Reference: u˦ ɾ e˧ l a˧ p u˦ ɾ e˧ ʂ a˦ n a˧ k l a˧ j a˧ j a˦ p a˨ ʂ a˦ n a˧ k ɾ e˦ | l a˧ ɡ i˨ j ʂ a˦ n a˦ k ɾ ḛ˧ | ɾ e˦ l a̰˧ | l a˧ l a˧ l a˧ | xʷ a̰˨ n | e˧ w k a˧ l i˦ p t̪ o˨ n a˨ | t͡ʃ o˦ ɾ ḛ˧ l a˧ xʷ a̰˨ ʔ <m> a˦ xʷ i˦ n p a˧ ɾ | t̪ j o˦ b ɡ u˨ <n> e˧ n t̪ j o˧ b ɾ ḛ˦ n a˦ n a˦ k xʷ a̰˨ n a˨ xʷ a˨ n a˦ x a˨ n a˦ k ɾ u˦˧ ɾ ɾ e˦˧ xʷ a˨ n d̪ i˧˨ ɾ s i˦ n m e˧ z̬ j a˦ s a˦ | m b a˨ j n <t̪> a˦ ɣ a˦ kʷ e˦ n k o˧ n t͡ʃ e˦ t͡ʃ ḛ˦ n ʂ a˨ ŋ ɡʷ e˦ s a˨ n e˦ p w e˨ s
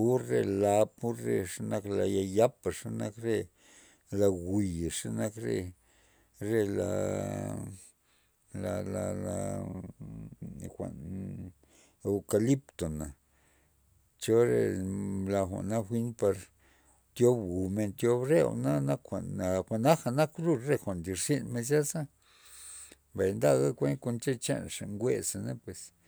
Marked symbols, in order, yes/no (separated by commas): no, no, no